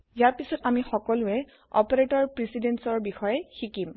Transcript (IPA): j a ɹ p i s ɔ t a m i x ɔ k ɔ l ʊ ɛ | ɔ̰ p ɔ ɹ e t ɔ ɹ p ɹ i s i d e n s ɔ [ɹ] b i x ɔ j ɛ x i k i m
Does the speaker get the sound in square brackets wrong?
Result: no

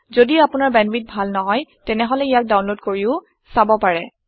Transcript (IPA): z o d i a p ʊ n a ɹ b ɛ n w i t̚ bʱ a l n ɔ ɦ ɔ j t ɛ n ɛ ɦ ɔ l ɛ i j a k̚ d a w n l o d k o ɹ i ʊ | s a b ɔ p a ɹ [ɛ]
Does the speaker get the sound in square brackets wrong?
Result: no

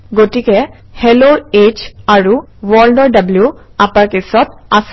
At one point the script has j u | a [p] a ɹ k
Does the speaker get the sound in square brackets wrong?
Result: no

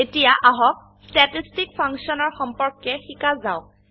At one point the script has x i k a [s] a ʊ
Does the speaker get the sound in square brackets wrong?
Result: yes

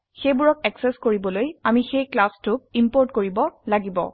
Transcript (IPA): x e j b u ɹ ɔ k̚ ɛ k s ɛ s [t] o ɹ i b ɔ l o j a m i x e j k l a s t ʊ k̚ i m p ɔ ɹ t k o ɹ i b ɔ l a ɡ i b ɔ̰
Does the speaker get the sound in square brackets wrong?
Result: yes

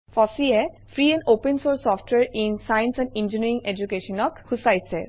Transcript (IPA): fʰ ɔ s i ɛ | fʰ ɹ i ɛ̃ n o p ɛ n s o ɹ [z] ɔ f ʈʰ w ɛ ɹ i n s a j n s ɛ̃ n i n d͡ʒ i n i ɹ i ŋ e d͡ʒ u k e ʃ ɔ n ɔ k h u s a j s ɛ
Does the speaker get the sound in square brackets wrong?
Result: yes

